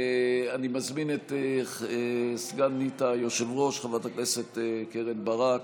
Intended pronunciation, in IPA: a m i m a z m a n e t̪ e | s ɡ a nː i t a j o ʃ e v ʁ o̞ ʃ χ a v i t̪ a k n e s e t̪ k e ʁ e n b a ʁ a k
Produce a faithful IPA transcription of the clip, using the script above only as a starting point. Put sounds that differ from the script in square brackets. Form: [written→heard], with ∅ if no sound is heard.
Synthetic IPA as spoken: a [m→n] i m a z m [a→i] n e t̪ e | s ɡ a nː i t a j o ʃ e v ʁ o̞ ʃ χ a v [i→a] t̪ a k n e s e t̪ k e ʁ e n b a ʁ a k